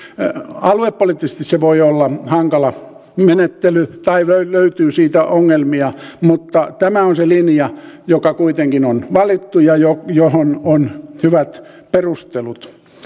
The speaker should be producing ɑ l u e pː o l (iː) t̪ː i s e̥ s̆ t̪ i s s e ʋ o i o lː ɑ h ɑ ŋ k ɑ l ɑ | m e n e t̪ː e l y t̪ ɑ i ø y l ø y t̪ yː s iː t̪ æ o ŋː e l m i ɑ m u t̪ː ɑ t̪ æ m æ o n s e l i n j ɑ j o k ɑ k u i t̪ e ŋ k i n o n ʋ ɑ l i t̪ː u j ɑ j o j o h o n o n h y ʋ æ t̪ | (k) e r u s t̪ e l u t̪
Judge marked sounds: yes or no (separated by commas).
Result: no, no